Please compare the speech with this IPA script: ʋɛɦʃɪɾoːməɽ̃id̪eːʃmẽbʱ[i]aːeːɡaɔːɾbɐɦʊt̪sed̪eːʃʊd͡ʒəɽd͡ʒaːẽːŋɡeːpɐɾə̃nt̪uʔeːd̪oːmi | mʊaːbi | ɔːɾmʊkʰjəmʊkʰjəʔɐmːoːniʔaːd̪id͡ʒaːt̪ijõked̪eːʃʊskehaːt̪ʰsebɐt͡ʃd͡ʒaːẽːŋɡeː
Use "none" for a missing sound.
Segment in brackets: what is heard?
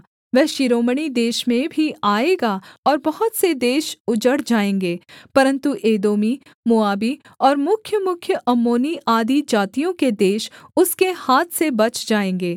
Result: i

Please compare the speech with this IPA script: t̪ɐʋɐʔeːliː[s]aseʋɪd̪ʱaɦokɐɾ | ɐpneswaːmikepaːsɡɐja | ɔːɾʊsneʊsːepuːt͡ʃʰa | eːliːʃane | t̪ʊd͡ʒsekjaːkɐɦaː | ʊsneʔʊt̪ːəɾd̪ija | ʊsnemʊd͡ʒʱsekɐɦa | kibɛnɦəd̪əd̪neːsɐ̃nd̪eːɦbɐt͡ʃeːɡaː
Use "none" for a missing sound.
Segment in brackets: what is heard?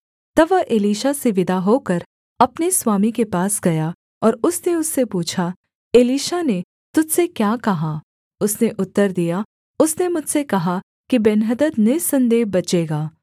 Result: ʃ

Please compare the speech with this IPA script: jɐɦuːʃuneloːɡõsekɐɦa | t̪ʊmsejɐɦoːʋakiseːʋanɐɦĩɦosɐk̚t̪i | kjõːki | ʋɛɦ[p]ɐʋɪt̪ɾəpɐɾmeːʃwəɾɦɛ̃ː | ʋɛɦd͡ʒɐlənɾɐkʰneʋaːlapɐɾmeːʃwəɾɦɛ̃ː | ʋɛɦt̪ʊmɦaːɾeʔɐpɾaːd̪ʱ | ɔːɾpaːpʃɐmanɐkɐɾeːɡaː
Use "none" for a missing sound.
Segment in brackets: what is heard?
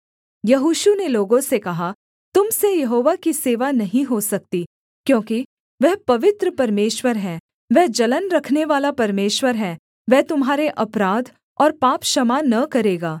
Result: p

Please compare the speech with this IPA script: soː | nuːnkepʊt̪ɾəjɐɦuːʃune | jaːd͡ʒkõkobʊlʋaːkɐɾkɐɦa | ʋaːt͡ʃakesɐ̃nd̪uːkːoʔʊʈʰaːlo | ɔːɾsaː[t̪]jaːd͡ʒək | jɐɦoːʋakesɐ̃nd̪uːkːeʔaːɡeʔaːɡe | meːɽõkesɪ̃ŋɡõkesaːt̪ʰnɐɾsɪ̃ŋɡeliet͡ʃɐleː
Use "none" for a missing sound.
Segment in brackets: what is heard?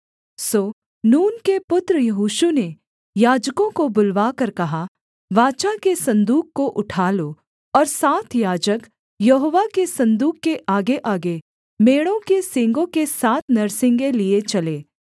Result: t̪ʰ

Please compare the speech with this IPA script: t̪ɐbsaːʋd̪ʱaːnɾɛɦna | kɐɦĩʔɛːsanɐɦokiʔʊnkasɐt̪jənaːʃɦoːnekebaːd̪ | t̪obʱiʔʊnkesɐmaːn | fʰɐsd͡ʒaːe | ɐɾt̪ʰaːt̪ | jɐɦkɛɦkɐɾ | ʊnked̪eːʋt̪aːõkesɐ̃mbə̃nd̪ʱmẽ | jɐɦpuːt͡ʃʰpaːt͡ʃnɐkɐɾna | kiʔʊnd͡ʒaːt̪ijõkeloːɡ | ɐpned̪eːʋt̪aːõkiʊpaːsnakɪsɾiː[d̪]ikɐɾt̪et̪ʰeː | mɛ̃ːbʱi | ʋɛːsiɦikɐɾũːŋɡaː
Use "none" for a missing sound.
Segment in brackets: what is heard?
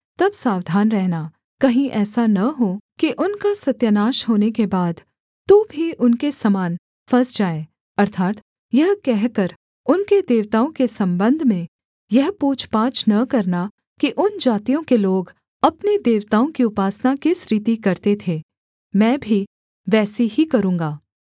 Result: t̪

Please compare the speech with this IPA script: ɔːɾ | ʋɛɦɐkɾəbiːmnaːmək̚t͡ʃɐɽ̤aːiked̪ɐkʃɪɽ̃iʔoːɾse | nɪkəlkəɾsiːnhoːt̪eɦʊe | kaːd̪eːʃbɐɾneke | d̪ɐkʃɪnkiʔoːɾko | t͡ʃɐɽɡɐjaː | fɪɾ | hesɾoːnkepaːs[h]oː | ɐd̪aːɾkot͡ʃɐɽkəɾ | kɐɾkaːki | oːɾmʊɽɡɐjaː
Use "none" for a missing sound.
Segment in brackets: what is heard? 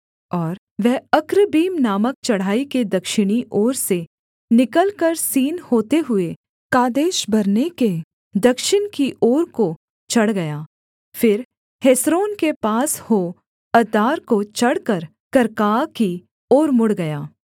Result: h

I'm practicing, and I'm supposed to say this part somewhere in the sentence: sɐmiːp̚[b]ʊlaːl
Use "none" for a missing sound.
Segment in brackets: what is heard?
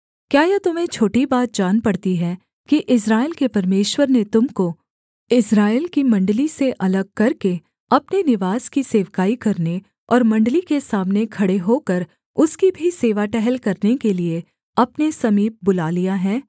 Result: b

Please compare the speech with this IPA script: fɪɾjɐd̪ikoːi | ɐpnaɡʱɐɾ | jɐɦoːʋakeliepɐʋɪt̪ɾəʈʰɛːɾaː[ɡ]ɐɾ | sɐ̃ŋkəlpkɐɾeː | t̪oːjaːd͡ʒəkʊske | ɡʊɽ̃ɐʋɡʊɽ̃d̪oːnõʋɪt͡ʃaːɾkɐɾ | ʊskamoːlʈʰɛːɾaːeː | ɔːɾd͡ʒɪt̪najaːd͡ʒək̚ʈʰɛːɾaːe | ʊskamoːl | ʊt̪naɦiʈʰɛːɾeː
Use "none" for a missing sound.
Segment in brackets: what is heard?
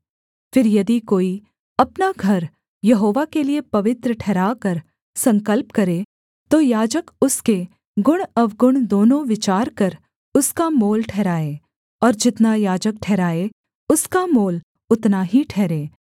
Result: k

